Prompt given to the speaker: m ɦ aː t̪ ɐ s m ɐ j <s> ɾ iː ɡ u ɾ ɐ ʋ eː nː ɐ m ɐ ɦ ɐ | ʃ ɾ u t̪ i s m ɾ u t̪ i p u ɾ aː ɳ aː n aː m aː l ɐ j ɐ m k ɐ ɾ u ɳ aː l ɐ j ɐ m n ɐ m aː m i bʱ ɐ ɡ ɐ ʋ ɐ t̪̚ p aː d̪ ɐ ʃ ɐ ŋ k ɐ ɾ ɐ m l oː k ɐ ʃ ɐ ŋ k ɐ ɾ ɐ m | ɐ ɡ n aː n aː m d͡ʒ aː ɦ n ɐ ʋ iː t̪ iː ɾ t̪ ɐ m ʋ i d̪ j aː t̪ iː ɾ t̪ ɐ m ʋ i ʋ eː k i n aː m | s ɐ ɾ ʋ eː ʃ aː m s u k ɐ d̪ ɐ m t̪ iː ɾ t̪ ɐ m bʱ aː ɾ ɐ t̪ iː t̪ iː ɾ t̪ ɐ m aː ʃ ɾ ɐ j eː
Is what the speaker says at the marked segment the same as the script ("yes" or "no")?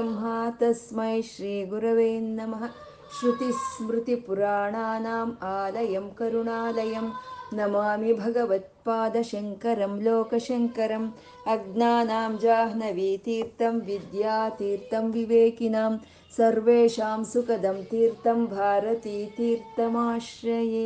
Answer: no